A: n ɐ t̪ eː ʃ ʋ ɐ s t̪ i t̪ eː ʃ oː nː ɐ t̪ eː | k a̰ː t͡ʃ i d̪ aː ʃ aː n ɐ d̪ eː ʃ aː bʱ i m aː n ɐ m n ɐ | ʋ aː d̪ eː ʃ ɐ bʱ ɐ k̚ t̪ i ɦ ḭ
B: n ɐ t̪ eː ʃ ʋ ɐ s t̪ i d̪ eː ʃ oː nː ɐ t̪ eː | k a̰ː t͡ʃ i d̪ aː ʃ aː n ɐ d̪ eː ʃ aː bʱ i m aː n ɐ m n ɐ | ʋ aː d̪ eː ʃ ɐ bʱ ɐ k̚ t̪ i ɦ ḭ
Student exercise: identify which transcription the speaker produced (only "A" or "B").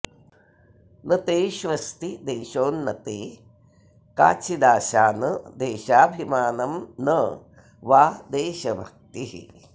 B